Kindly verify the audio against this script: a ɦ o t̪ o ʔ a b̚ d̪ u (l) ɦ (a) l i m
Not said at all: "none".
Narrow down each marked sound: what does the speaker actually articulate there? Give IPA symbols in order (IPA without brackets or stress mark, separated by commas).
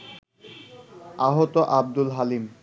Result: l, a